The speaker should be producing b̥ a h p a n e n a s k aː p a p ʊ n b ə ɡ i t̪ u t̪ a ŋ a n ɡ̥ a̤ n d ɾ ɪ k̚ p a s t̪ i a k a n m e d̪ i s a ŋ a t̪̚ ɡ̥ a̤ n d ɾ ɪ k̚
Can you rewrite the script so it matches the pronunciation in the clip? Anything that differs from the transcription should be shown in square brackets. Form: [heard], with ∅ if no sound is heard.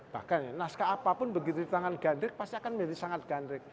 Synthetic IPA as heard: b̥ a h [k] a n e n a s k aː p a p ʊ n b ə ɡ i t̪ u t̪ a ŋ a n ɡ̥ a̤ n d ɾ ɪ k̚ p a s t̪ i a k a n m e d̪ i s a ŋ a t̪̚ ɡ̥ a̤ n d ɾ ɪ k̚